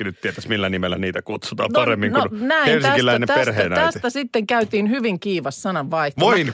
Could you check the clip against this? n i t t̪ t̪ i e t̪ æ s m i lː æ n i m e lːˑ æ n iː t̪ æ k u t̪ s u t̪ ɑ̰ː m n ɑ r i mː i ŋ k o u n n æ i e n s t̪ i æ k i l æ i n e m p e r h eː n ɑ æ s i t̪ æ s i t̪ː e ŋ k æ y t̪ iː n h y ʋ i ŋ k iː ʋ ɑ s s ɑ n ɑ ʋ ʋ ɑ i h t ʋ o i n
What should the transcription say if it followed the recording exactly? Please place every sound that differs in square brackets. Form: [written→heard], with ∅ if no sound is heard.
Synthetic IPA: n [i→y] t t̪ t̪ i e t̪ æ s m i lː æ n i m e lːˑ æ n iː t̪ æ k u t̪ s u t̪ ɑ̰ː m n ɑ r [i→e] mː i ŋ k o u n n æ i e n s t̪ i æ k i l æ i n e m p e r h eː n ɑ æ s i t̪ æ s i t̪ː e ŋ k æ y t̪ iː n h y ʋ i ŋ k iː ʋ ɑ s s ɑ n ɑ ʋ ʋ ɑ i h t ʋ o i n